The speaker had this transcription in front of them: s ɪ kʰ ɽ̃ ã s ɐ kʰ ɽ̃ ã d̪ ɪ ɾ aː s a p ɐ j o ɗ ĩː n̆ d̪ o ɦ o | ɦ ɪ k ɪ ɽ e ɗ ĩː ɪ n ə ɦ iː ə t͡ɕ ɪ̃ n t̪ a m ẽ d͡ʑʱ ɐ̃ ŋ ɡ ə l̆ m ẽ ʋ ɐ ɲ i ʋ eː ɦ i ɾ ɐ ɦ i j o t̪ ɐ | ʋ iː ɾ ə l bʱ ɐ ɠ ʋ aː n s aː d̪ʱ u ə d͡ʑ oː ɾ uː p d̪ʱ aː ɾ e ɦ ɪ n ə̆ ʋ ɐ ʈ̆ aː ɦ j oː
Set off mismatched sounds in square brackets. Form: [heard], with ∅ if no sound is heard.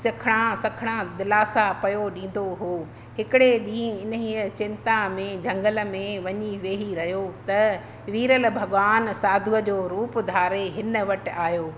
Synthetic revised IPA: s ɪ kʰ ɽ̃ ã s ɐ kʰ ɽ̃ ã d̪ ɪ [l] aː s a p ɐ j o ɗ ĩː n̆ d̪ o ɦ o | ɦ ɪ k ɪ ɽ e ɗ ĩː ɪ n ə ɦ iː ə t͡ɕ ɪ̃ n t̪ a m ẽ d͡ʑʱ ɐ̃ ŋ ɡ ə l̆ m ẽ ʋ ɐ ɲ i ʋ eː ɦ i ɾ ɐ ɦ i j o t̪ ɐ | ʋ iː ɾ ə l bʱ ɐ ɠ ʋ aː n s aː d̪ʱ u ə d͡ʑ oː ɾ uː p d̪ʱ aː ɾ e ɦ ɪ n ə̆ ʋ ɐ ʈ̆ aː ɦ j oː